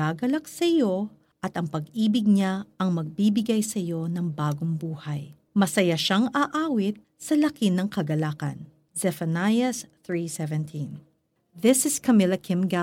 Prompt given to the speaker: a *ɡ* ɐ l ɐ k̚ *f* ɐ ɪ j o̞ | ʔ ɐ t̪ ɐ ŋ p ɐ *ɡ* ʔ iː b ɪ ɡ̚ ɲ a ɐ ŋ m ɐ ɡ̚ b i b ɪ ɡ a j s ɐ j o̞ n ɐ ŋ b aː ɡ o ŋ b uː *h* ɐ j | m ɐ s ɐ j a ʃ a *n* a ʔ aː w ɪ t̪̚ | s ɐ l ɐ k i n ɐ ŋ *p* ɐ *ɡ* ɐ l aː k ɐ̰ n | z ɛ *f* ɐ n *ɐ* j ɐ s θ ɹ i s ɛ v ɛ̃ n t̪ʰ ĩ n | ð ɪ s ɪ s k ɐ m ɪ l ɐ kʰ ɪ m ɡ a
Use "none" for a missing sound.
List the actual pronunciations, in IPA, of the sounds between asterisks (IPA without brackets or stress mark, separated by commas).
ɡ, s, ɡ, h, ŋ, k, ɡ, f, a